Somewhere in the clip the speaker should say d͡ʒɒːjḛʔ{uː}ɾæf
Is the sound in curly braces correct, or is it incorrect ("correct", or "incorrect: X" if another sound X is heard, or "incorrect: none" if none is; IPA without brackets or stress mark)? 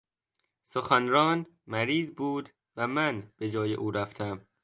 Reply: correct